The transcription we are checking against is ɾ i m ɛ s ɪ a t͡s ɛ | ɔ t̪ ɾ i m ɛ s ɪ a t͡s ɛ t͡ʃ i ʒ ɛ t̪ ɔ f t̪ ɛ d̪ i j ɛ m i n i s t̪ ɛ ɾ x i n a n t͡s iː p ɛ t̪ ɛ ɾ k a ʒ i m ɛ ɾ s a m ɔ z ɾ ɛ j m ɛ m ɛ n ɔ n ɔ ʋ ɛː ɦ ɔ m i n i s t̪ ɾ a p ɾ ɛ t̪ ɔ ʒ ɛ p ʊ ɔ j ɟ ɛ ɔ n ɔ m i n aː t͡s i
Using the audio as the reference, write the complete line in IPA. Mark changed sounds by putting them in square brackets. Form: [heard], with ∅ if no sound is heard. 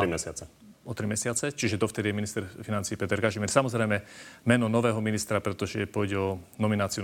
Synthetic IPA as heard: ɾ i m ɛ s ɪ a t͡s ɛ | ɔ t̪ ɾ i m ɛ s ɪ a t͡s ɛ t͡ʃ i ʒ ɛ [d̪] ɔ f t̪ ɛ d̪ i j ɛ m i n i s t̪ ɛ ɾ [f] i n a n t͡s iː p ɛ t̪ ɛ ɾ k a ʒ i m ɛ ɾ s a m ɔ z ɾ ɛ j m ɛ m ɛ n ɔ n ɔ ʋ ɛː ɦ ɔ m i n i s t̪ ɾ a p ɾ ɛ t̪ ɔ ʒ ɛ p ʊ ɔ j ɟ ɛ ɔ n ɔ m i n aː t͡s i